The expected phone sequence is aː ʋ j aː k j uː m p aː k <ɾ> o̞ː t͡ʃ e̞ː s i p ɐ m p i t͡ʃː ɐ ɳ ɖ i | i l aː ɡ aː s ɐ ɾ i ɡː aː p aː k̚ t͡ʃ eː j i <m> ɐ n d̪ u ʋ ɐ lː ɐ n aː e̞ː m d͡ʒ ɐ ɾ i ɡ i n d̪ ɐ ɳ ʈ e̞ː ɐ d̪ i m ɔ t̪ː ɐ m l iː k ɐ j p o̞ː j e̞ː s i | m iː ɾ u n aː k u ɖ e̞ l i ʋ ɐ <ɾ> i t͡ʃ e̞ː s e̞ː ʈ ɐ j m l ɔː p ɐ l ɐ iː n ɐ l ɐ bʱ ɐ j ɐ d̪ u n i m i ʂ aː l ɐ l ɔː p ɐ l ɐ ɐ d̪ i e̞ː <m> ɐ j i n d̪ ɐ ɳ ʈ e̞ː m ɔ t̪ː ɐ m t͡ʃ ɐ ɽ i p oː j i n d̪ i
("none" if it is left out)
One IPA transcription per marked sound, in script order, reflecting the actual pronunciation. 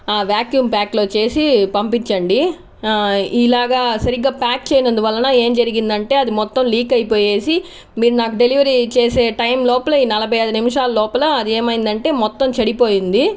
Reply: l, n, ɾ, m

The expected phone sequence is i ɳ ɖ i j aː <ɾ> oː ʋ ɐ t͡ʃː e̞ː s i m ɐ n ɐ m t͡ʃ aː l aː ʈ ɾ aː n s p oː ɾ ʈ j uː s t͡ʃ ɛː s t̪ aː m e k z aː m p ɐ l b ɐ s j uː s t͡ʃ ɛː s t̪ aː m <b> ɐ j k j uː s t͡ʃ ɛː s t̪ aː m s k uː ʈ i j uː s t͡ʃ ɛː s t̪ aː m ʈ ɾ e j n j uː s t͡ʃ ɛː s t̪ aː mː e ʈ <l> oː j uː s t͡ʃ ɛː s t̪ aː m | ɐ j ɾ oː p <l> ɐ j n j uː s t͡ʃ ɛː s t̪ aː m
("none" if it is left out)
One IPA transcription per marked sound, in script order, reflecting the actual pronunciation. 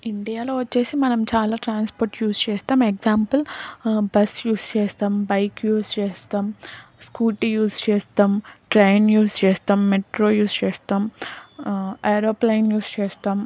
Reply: l, b, ɾ, l

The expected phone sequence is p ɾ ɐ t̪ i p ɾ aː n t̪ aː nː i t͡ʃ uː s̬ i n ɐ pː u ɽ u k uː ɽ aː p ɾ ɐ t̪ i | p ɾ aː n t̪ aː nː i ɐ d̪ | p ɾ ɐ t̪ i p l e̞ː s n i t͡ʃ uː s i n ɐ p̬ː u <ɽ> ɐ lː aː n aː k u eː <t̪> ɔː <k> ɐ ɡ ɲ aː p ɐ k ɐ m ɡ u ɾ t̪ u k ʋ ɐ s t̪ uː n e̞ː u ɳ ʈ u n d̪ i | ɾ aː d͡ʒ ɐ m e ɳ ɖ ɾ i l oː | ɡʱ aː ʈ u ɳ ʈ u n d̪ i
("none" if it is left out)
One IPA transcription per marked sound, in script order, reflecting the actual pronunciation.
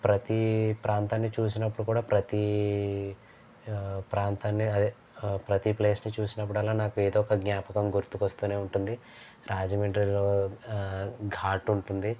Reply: ɽ, d̪, k

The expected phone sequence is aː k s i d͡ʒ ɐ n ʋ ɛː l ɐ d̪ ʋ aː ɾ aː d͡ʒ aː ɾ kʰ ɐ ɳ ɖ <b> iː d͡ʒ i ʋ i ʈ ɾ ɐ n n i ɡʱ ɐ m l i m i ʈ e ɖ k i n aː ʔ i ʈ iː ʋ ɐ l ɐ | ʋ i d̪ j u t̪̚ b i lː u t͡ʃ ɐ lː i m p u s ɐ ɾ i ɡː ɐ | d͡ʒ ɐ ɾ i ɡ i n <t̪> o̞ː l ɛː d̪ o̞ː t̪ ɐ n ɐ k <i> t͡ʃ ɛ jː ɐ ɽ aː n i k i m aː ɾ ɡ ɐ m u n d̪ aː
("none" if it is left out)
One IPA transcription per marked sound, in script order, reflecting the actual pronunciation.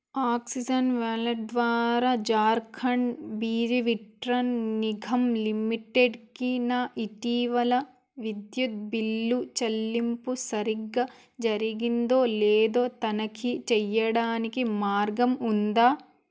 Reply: b, d̪, i

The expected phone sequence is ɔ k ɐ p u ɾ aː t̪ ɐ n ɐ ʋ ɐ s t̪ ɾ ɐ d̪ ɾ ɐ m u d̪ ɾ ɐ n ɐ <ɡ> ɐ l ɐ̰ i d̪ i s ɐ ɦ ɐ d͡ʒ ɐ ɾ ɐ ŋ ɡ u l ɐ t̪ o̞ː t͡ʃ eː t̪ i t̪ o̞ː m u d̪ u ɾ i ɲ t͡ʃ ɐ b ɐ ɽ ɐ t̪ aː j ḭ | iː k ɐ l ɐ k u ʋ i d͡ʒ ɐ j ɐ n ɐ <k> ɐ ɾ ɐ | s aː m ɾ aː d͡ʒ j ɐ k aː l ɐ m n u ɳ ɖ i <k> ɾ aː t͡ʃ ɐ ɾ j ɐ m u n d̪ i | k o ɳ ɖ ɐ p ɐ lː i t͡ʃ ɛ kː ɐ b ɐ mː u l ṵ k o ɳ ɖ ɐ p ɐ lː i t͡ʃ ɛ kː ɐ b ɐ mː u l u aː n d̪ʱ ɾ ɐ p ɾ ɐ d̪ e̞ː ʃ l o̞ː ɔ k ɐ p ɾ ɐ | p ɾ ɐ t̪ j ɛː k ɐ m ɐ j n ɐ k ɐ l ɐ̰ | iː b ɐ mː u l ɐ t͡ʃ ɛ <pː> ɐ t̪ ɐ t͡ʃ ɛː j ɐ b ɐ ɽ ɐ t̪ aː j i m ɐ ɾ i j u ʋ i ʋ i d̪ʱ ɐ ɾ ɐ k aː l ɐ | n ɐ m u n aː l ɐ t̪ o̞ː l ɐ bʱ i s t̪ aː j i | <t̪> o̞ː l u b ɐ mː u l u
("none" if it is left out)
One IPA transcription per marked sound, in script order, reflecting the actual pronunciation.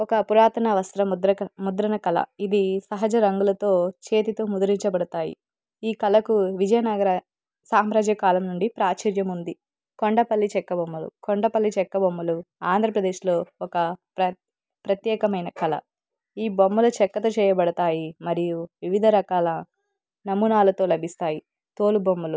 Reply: k, ɡ, p, kː, t̪

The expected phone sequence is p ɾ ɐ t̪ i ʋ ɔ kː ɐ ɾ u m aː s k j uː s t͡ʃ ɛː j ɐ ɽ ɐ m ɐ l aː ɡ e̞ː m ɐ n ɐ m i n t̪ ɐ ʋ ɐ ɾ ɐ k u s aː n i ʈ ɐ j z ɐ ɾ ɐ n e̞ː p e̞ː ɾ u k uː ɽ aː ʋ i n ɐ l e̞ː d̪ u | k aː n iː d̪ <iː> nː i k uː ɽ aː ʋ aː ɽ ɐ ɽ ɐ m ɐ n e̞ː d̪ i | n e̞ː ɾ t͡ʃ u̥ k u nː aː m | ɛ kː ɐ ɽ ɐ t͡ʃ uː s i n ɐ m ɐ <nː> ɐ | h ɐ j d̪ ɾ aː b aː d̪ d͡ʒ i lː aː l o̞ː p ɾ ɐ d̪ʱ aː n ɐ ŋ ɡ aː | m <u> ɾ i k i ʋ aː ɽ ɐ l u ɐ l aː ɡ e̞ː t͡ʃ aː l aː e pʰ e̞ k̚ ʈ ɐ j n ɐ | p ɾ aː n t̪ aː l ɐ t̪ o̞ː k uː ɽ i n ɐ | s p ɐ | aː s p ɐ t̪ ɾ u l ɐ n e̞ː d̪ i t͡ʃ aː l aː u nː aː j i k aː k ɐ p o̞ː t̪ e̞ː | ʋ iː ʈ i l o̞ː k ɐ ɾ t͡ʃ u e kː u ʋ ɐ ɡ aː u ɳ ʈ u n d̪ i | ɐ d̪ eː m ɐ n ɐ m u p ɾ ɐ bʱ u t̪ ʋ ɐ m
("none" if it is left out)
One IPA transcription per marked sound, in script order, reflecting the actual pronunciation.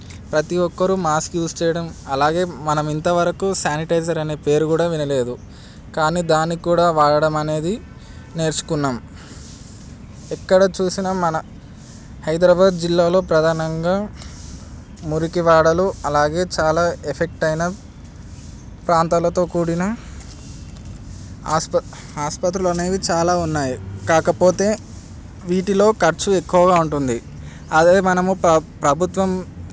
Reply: aː, n, u

